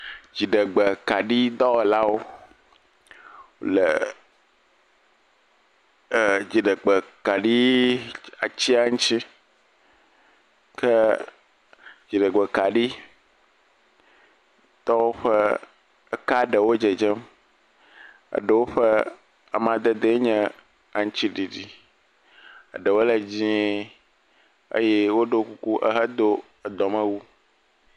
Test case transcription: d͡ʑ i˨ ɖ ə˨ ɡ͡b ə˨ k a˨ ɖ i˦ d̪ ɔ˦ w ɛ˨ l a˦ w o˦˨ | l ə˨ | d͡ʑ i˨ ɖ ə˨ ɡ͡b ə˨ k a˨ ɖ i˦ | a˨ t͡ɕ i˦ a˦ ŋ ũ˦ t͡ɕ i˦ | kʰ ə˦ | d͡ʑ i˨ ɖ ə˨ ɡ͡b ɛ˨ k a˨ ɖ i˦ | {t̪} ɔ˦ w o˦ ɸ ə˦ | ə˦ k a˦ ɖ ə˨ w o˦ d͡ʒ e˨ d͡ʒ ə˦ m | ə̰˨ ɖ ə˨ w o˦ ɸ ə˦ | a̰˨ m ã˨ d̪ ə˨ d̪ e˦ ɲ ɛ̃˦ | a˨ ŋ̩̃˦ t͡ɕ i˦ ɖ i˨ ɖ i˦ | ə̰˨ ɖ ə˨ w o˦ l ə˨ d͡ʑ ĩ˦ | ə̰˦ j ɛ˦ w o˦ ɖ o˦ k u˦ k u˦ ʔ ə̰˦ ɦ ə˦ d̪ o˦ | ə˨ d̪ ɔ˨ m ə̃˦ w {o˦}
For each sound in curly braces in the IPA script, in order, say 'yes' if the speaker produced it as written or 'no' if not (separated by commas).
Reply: yes, no